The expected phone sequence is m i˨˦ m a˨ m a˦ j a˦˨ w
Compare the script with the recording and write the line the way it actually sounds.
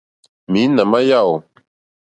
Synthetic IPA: m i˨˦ n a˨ m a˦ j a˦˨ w